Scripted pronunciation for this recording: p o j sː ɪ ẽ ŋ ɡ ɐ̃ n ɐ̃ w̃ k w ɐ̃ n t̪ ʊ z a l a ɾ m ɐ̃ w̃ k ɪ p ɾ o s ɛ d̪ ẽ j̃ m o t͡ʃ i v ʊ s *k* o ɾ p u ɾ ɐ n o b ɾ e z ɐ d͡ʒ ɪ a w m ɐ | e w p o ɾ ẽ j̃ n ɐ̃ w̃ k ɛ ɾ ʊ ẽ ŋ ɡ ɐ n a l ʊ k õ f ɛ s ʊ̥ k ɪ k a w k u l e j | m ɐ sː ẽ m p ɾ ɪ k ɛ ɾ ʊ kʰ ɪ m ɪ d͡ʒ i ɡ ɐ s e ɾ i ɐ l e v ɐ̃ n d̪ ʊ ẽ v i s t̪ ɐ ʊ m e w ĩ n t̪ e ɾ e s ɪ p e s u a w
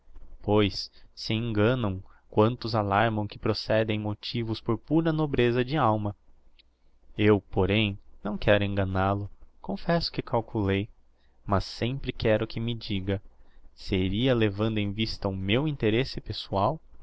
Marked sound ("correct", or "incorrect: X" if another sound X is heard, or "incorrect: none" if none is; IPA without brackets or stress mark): incorrect: p